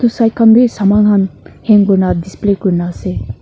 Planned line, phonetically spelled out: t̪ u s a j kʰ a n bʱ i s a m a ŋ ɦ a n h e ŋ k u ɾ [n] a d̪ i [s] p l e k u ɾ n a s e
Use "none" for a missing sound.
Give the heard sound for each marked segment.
n, s

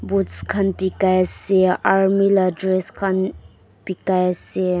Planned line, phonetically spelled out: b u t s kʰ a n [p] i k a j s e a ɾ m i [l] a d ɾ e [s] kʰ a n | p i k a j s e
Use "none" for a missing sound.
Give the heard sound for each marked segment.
p, l, s

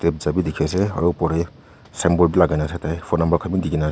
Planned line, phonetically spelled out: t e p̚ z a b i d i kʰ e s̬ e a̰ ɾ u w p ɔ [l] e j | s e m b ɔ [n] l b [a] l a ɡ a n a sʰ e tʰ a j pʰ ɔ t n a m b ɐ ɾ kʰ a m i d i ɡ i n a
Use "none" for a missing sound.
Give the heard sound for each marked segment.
ɾ, none, i

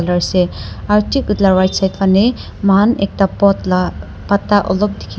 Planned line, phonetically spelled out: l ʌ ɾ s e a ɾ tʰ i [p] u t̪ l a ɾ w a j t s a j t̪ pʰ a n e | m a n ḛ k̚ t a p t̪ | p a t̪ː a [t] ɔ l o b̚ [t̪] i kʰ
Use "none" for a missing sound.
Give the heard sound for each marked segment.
k, ʔ, d̪

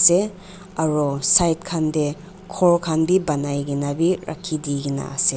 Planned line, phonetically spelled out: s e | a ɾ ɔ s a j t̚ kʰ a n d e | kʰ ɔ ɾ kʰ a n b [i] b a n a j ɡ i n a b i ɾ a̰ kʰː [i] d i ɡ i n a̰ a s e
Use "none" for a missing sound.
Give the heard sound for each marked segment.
i, i

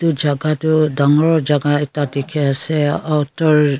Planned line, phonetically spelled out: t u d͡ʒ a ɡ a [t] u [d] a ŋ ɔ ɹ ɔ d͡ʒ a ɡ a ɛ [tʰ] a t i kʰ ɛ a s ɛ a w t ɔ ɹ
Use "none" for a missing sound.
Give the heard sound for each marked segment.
t, d, t

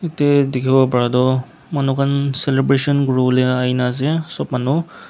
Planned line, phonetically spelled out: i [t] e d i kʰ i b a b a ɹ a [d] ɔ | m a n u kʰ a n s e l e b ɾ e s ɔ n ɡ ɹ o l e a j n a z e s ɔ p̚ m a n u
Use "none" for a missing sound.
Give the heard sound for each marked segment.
t, d

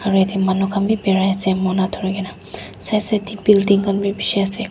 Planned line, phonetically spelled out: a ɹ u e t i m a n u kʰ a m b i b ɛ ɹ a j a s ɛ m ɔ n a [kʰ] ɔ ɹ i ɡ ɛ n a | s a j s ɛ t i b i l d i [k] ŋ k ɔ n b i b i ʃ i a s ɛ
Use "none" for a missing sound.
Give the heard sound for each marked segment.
tʰ, none

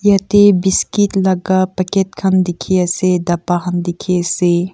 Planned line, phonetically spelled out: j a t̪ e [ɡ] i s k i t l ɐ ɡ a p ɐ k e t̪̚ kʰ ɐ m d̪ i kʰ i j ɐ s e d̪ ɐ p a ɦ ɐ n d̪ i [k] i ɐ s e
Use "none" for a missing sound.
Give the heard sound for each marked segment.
b, kʰ

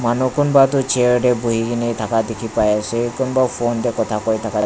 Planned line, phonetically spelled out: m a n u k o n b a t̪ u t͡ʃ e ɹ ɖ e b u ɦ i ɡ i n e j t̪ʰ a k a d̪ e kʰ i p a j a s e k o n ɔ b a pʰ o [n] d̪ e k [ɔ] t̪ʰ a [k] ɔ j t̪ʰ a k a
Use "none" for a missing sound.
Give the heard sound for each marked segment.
n, ɔ, k

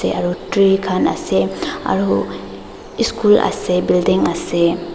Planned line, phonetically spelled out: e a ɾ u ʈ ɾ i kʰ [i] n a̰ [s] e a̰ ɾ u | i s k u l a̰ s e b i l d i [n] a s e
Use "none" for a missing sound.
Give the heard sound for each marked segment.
a, s, ŋ

